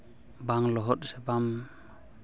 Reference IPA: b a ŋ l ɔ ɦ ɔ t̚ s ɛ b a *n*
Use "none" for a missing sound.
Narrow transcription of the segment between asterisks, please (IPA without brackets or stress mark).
m